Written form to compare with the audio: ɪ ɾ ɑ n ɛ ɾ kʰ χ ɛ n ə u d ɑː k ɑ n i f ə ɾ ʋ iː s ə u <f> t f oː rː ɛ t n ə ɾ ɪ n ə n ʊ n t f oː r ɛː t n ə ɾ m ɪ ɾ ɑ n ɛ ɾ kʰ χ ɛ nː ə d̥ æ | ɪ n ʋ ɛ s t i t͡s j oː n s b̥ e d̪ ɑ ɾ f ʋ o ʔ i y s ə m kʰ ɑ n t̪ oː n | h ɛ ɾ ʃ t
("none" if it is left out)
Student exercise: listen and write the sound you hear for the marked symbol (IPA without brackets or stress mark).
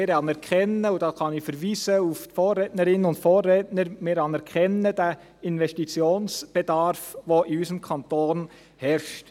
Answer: f